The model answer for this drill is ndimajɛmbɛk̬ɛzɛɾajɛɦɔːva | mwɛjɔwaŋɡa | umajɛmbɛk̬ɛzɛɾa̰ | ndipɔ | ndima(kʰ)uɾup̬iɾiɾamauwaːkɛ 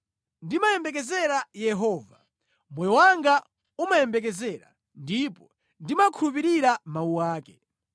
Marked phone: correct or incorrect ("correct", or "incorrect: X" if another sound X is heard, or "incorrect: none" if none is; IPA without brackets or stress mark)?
correct